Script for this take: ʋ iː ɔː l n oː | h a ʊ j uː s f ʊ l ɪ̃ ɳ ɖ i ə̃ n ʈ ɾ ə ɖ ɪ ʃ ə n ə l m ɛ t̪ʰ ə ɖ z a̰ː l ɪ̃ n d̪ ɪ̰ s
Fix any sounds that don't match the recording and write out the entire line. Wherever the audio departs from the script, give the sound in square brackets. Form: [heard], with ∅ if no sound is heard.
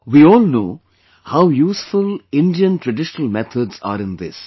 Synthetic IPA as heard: ʋ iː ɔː l n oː | h a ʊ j uː s f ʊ l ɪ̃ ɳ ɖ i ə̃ n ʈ ɾ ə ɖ ɪ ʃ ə n ə l m ɛ t̪ʰ ə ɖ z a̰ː [ɾ] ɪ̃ n d̪ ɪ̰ s